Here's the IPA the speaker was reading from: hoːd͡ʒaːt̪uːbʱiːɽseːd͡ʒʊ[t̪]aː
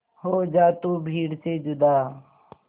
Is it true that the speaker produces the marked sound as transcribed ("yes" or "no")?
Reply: no